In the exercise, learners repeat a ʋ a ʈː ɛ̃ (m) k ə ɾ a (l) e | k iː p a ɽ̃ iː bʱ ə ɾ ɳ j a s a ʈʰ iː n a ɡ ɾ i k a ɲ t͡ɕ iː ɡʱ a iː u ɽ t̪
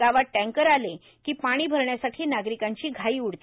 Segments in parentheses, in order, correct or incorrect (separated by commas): incorrect, correct